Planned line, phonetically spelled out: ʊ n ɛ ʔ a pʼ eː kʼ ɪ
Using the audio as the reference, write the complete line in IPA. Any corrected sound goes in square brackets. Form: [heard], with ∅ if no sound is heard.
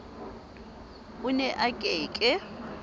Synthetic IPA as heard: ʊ n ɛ ʔ a [kʼ] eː kʼ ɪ